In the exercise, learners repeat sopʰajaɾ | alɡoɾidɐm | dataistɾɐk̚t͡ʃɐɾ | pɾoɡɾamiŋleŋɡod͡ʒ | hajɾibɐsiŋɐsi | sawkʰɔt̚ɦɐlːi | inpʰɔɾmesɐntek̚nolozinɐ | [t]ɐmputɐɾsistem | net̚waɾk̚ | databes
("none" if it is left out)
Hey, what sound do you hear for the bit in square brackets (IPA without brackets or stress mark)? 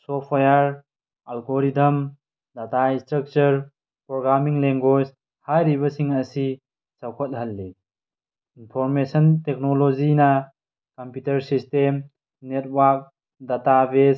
k